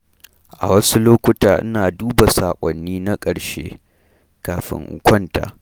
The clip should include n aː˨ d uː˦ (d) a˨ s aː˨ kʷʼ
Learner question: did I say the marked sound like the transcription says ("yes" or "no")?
no